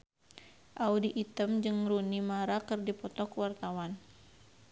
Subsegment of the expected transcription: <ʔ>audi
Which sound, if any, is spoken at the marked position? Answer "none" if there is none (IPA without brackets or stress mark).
ʔ